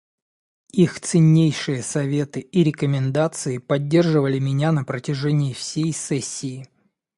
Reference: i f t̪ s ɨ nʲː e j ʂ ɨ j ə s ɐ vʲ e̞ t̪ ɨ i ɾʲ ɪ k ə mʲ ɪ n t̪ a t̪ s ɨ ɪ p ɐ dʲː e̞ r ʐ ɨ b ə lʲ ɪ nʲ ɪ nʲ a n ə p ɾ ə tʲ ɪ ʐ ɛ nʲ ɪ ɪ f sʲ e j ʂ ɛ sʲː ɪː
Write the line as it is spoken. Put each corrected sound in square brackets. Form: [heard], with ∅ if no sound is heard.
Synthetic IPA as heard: i [x] t̪ s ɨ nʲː e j ʂ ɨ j ə s ɐ vʲ e̞ t̪ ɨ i ɾʲ ɪ k ə mʲ ɪ n [d̪] a t̪ s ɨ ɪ p ɐ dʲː e̞ r ʐ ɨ [v] ə lʲ ɪ [mʲ] ɪ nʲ a n ə p ɾ ə tʲ ɪ ʐ ɛ nʲ ɪ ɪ f sʲ e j [s] ɛ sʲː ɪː